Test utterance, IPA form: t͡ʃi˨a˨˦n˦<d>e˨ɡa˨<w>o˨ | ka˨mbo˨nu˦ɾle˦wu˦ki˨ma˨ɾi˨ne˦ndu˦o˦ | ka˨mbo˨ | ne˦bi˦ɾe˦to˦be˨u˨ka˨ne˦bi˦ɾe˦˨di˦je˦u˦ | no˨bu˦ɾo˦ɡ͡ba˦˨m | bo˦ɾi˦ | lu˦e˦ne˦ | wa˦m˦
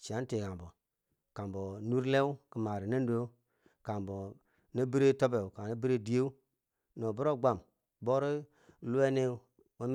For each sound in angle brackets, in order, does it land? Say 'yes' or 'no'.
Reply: no, no

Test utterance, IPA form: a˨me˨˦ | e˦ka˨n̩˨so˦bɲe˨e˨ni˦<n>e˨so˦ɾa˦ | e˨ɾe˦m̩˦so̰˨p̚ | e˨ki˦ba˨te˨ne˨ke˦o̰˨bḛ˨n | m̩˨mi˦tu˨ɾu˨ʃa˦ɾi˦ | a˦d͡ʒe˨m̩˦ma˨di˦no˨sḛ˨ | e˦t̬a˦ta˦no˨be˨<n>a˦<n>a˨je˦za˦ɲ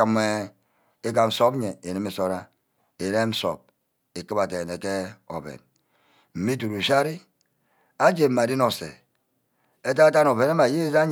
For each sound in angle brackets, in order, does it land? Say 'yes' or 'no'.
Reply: no, yes, no

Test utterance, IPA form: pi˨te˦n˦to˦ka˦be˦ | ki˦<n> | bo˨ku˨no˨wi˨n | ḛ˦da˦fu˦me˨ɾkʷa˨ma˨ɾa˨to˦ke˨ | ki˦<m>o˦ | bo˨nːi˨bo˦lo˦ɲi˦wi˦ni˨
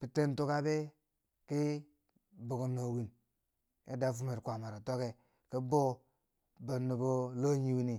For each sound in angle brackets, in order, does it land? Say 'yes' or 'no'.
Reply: no, no

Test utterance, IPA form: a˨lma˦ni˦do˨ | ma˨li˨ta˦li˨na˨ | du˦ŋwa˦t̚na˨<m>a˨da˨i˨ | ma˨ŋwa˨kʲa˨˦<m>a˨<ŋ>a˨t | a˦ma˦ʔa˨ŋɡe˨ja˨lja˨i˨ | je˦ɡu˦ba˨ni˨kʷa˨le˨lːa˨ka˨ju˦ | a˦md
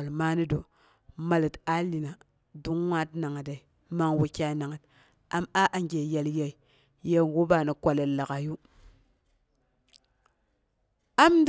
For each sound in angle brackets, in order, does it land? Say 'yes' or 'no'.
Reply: no, no, yes

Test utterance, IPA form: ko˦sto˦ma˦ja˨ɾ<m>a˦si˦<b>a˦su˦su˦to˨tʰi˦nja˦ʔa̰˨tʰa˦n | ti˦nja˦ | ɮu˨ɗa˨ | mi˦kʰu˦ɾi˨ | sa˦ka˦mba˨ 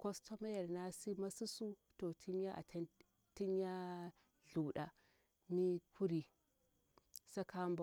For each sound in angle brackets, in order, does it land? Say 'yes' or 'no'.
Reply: no, no

